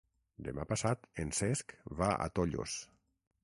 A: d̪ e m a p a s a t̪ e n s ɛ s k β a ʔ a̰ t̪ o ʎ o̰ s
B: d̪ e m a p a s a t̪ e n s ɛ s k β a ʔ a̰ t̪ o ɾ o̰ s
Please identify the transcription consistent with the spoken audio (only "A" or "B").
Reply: A